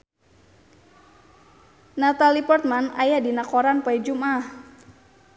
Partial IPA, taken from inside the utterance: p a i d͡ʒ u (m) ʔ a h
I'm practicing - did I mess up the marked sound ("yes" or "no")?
no